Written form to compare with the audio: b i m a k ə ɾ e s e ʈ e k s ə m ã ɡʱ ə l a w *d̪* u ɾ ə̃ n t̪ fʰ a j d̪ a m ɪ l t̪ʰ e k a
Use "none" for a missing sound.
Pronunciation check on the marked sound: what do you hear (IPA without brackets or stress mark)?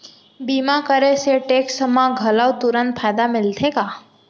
t̪